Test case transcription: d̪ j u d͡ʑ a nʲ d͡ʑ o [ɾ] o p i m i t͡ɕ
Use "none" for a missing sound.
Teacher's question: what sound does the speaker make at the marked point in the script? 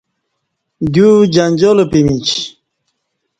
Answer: l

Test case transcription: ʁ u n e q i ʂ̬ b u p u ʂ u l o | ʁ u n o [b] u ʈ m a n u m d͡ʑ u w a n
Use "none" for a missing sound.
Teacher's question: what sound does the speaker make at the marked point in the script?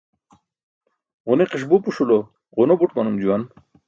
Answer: b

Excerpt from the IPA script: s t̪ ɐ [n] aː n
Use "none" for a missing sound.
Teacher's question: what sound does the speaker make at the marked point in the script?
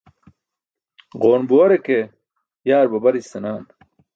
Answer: n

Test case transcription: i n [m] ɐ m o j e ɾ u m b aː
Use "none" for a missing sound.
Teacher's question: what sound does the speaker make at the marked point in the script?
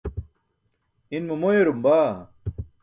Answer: m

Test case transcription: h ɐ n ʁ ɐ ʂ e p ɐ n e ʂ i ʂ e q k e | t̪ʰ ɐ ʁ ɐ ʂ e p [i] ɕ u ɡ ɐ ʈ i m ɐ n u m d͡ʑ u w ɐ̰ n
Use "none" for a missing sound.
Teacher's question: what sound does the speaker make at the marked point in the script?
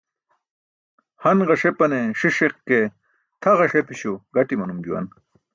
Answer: i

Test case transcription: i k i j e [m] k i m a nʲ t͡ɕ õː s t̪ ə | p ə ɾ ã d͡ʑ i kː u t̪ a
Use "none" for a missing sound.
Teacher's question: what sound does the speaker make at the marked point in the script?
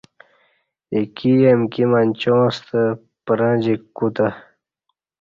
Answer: m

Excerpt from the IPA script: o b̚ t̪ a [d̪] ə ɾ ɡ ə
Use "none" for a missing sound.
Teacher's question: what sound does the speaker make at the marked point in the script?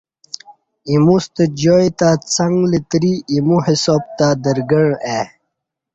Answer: d̪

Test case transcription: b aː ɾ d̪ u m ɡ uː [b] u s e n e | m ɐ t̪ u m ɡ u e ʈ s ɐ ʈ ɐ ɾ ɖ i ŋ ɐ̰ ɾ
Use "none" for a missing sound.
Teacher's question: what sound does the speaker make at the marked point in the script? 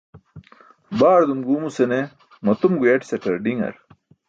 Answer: m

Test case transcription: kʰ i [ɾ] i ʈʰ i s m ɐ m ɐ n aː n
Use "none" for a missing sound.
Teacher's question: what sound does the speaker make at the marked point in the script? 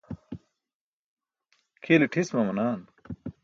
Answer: l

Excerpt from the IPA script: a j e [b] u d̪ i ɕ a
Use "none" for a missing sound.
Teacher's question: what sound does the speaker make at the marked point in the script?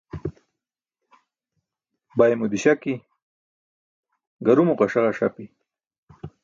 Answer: m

